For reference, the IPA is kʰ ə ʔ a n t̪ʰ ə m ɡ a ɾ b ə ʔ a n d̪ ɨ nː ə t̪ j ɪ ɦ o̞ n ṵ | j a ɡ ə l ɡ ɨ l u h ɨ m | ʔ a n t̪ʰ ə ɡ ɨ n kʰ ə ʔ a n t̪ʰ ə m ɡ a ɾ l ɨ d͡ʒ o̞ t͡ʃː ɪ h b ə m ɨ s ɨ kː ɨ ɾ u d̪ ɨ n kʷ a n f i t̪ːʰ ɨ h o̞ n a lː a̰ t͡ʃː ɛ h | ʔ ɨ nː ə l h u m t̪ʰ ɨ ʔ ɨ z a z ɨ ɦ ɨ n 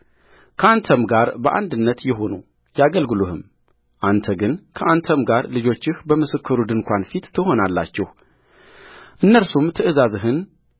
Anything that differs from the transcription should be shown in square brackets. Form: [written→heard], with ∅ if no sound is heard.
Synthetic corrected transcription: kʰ ə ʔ a n t̪ʰ ə m ɡ a ɾ b ə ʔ a n d̪ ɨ nː ə t̪ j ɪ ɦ o̞ n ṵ | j a ɡ ə l ɡ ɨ l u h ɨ m | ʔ a n t̪ʰ ə ɡ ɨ n kʰ ə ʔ a n t̪ʰ ə m ɡ a ɾ l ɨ d͡ʒ o̞ t͡ʃː ɪ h b ə m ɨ s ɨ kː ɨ ɾ u d̪ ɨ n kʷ a n f i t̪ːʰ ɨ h o̞ n a lː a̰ t͡ʃː ɛ h | ʔ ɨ nː ə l [h→s] u m t̪ʰ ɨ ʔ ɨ z a z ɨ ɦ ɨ n